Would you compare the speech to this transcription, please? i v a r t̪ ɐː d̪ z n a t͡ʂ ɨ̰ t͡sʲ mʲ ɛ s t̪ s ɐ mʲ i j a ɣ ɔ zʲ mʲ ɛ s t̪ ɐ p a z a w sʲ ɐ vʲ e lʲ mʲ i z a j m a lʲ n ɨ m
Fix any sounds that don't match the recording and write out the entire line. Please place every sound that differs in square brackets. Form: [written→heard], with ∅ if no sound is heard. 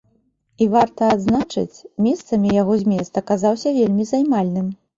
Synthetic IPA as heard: i v a r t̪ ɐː d̪ z n a t͡ʂ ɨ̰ t͡sʲ mʲ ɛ s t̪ s ɐ mʲ i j a ɣ ɔ zʲ mʲ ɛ s t̪ ɐ [p→k] a z a w sʲ ɐ vʲ e lʲ mʲ i z a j m a lʲ n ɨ m